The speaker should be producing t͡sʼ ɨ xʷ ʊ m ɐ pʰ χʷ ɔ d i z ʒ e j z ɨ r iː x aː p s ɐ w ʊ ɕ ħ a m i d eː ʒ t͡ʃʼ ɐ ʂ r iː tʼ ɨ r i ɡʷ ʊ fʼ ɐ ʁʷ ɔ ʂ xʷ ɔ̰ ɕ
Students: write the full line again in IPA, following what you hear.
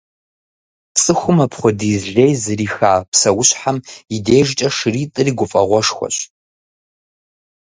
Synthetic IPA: t͡sʼ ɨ xʷ ʊ m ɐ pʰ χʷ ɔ d i z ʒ e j z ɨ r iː x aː p s ɐ w ʊ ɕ ħ a m i d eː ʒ t͡ʃʼ ɐ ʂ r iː tʼ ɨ r i ɡʷ ʊ fʼ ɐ ʁʷ ɔ ʂ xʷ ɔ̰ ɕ

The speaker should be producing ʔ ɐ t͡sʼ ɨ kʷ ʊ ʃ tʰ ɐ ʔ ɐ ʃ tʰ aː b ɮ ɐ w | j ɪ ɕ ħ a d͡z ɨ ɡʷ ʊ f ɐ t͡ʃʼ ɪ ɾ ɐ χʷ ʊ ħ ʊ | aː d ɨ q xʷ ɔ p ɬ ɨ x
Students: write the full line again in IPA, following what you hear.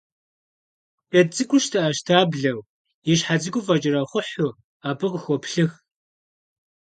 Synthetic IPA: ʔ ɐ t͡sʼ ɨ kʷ ʊ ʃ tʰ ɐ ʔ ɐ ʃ tʰ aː b ɮ ɐ w | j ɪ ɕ ħ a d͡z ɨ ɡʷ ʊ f ɐ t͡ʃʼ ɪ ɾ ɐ χʷ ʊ ħ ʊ | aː b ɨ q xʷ ɔ p ɬ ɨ x

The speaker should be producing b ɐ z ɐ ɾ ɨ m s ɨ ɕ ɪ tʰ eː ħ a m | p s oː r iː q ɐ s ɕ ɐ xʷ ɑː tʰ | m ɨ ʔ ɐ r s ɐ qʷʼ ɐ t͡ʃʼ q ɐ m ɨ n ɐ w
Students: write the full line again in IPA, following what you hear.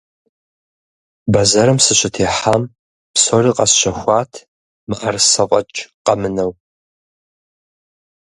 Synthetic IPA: b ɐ z ɐ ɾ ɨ m s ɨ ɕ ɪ tʰ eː ħ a m | p s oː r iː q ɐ s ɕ ɐ xʷ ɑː tʰ | m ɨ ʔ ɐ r s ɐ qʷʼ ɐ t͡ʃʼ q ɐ m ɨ n ɐ w

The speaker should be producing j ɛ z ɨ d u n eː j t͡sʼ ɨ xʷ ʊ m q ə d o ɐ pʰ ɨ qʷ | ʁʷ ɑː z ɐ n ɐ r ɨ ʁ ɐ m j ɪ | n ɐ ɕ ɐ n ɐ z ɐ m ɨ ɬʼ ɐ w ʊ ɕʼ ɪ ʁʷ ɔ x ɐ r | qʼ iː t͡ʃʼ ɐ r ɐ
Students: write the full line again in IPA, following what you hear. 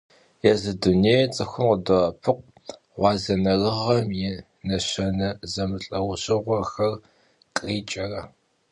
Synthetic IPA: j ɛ z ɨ d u n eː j t͡sʼ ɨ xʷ ʊ m q ə d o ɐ pʰ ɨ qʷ | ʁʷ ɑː z ɐ n ɐ r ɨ ʁ ɐ m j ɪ | n ɐ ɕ ɐ n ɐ z ɐ m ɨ ɬʼ ɐ w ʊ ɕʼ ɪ ʁʷ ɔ x ɐ r | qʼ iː t͡ʃʼ ɐ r ɐ

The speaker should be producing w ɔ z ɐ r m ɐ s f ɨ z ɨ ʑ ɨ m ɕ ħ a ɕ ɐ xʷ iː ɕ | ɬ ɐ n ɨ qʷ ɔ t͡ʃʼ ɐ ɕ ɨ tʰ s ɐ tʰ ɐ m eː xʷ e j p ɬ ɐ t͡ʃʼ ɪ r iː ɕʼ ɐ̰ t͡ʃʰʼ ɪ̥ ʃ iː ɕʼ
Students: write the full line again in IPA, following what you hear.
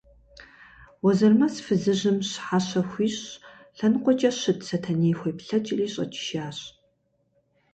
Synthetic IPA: w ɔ z ɐ r m ɐ s f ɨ z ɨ ʑ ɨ m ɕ ħ a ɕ ɐ xʷ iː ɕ | ɬ ɐ n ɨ qʷ ɔ t͡ʃʼ ɐ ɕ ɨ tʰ s ɐ tʰ ɐ n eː xʷ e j p ɬ ɐ t͡ʃʼ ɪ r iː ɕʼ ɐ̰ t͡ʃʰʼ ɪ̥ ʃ aː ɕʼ

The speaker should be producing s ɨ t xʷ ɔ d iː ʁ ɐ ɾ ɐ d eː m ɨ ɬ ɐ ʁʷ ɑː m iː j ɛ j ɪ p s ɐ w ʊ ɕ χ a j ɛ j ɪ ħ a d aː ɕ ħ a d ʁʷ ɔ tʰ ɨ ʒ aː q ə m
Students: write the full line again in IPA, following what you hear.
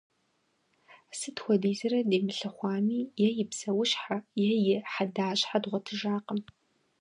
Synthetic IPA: s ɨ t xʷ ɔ d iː z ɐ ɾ ɐ d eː m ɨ ɬ ɐ χʷ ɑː m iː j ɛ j ɪ p s ɐ w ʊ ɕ ħ a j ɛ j ɪ ħ a d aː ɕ ħ a d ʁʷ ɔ tʰ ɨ ʒ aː q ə m

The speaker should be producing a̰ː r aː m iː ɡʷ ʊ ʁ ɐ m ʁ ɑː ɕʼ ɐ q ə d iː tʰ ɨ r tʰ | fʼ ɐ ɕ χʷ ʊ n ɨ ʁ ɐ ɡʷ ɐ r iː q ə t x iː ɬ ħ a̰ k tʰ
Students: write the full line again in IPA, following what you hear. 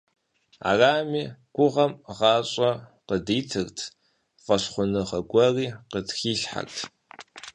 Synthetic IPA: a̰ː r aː m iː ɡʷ ʊ ʁ ɐ m ʁ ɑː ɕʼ ɐ q ə d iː tʰ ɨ r tʰ | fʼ ɐ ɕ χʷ ʊ n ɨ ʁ ɐ ɡʷ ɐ r iː q ə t x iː ɬ ħ a̰ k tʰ

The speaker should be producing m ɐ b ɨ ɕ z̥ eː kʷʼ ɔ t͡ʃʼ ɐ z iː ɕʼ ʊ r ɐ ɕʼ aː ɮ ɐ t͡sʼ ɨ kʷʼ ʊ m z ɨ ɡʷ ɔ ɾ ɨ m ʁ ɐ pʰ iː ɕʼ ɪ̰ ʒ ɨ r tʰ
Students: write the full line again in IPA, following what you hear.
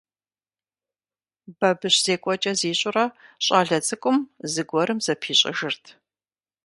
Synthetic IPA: b ɐ b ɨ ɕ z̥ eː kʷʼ ɔ t͡ʃʼ ɐ z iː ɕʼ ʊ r ɐ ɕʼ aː ɮ ɐ t͡sʼ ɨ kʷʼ ʊ m z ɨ ɡʷ ɔ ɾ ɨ m z ɐ pʰ iː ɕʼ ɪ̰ ʒ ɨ r tʰ

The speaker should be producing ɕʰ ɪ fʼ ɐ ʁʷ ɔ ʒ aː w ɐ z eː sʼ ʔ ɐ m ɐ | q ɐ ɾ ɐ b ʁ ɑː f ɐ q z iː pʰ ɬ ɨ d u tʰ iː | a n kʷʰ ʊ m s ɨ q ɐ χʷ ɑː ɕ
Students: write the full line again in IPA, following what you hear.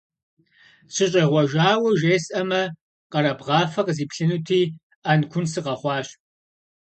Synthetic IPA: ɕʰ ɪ ɕʼ ɐ ʁʷ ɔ ʒ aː w ɐ ʒ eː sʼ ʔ ɐ m ɐ | q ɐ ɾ ɐ b ʁ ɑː f ɐ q z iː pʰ ɬ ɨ n u tʰ iː | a n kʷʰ ʊ n s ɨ q ɐ χʷ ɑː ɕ

